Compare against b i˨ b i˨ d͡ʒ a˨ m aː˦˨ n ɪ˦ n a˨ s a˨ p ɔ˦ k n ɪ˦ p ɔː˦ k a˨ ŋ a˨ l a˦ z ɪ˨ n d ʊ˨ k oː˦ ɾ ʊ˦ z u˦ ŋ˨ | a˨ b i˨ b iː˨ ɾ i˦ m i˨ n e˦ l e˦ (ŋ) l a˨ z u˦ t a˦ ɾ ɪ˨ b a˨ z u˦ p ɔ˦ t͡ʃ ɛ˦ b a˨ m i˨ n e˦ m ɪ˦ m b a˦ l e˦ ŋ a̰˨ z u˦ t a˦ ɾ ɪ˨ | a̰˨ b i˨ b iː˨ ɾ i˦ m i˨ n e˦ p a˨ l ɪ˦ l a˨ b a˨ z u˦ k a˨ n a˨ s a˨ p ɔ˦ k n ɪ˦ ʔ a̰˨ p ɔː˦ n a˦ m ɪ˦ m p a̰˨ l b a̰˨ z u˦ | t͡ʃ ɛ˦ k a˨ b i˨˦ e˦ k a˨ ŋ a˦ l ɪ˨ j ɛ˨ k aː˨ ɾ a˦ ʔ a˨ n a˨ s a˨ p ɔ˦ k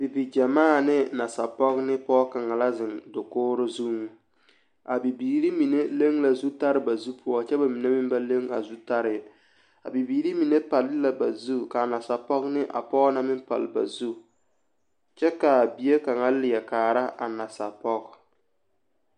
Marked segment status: correct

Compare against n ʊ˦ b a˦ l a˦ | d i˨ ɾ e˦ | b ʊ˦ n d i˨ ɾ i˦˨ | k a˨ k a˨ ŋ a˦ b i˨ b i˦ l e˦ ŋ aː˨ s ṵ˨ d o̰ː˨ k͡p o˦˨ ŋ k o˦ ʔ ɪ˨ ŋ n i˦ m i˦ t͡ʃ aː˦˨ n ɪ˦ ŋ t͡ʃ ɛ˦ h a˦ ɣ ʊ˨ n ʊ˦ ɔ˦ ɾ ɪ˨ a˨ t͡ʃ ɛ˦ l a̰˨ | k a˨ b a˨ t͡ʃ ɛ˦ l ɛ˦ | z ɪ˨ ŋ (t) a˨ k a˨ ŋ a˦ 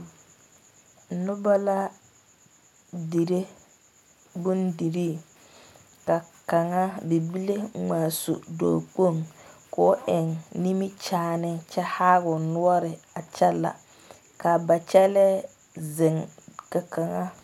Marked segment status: incorrect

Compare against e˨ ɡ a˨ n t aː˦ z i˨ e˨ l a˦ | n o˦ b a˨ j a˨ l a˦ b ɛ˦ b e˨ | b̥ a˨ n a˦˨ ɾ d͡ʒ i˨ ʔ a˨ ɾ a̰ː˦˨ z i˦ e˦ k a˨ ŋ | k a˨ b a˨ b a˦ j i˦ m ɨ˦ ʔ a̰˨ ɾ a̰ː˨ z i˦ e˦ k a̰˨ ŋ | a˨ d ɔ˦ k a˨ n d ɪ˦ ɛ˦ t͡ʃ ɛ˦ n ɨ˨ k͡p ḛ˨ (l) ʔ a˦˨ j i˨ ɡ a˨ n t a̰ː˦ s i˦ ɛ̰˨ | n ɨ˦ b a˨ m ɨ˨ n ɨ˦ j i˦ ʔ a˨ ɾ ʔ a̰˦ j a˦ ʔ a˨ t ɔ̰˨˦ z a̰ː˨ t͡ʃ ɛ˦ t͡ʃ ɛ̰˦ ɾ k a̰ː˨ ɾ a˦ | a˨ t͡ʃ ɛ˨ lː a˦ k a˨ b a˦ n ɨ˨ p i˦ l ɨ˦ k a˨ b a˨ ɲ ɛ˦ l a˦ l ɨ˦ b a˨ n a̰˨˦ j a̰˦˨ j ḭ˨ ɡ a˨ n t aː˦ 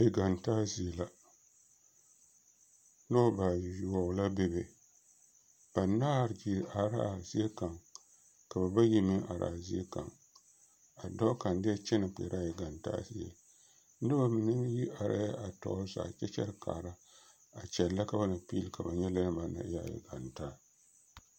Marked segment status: incorrect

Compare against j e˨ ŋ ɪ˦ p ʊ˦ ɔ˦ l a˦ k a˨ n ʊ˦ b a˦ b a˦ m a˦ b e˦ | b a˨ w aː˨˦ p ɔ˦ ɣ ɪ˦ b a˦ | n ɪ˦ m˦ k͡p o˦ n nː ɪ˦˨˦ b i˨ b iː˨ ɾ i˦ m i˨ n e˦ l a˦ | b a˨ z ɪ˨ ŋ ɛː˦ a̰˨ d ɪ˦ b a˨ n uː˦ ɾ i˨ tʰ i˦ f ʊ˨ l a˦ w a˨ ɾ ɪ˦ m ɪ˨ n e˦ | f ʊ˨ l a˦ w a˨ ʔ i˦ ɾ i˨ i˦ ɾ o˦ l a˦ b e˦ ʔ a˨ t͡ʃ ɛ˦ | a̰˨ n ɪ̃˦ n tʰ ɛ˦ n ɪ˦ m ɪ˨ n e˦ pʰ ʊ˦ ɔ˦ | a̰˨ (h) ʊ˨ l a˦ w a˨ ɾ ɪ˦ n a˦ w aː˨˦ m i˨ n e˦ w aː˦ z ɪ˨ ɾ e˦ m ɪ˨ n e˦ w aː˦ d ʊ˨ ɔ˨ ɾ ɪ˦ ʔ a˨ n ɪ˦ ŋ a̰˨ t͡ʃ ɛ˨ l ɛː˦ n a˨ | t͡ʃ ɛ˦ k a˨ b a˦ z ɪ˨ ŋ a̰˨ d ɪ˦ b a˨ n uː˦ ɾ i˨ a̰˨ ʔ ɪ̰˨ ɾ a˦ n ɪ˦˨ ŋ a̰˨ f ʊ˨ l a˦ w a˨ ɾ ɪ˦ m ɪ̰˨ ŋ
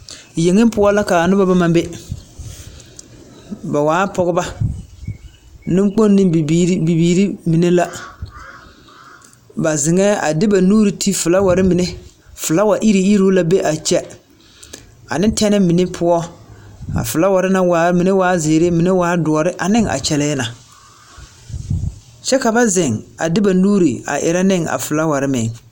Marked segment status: incorrect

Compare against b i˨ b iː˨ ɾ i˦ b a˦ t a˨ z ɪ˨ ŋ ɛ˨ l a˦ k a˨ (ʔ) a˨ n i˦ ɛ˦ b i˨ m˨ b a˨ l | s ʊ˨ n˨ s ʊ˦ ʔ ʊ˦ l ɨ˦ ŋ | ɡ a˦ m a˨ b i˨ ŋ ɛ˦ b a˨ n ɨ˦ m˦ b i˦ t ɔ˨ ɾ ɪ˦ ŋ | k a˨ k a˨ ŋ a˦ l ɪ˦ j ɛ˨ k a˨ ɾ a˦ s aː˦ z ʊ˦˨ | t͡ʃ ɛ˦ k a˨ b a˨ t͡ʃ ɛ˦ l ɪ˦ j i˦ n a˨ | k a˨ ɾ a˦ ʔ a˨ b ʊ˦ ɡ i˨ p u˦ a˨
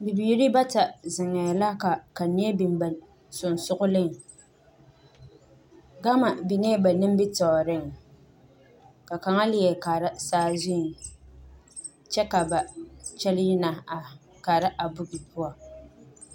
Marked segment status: incorrect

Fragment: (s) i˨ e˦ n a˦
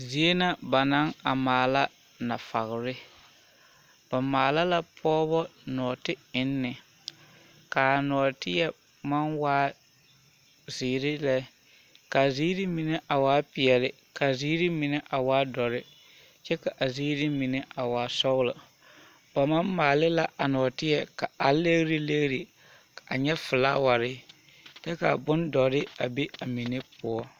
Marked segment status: incorrect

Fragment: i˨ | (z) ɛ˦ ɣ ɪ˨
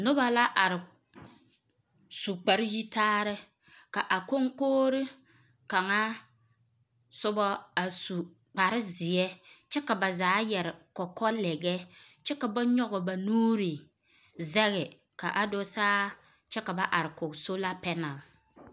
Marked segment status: correct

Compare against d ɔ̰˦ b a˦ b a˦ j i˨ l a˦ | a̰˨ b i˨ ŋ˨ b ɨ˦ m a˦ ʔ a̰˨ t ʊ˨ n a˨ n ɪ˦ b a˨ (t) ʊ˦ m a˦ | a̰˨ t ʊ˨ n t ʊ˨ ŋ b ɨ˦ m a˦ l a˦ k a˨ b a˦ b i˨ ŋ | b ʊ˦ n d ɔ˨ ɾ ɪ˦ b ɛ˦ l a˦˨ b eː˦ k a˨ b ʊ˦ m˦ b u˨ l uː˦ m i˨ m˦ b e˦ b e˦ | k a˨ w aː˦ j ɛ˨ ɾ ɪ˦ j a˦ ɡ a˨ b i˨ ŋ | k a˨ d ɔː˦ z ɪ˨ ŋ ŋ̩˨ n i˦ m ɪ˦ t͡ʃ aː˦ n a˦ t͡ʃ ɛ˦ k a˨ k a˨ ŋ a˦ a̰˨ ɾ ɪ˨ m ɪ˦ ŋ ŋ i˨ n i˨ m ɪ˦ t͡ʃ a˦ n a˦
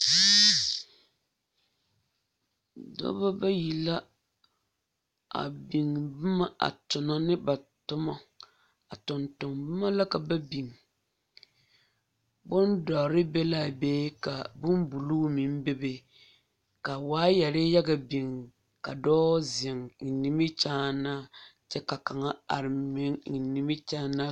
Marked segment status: correct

